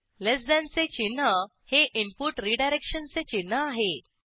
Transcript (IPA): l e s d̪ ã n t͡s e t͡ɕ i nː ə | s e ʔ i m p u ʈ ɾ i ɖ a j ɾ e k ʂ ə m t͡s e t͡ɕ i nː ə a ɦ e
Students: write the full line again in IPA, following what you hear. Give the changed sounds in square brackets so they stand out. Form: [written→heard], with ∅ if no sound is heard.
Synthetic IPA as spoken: l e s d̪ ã n t͡s e t͡ɕ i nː ə | [s→h] e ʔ i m p u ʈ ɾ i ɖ a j ɾ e k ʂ ə [m→n] t͡s e t͡ɕ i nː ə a ɦ e